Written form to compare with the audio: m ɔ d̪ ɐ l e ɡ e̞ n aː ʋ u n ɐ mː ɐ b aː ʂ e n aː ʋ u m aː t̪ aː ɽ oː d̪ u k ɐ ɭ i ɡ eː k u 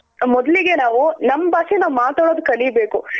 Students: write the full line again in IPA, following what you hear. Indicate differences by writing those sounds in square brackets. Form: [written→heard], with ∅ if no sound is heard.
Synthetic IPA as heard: m ɔ d̪ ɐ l [e→i] ɡ e̞ n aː ʋ u n ɐ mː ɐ b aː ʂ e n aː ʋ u m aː t̪ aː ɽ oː d̪ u k ɐ ɭ i [ɡ→b] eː k u